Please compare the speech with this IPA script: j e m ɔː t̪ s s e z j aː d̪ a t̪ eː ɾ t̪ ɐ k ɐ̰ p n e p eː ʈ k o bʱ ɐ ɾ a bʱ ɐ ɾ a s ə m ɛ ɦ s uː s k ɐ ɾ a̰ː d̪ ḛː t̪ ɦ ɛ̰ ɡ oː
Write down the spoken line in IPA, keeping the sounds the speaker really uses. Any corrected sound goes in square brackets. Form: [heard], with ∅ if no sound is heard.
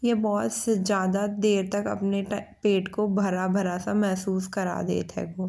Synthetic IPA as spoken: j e [b] ɔː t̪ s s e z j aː d̪ a [d̪] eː ɾ t̪ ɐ k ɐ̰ p n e p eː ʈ k o bʱ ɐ ɾ a bʱ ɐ ɾ a s [a] m ɛ ɦ s uː s k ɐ ɾ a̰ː d̪ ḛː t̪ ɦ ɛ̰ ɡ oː